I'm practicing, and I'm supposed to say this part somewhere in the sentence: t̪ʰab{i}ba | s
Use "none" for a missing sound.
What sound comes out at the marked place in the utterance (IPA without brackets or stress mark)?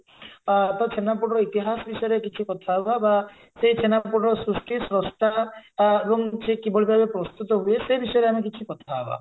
a